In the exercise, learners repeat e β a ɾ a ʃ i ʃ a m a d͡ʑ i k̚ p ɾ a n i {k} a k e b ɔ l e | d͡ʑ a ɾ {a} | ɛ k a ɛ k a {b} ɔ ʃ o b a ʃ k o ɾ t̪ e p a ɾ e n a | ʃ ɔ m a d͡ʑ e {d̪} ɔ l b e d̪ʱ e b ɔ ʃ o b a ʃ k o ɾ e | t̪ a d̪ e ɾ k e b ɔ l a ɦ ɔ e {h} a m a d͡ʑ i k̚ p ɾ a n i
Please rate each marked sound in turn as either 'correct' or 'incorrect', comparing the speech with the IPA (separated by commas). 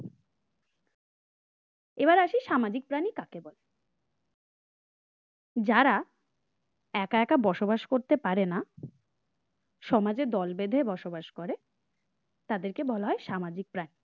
correct, correct, correct, correct, incorrect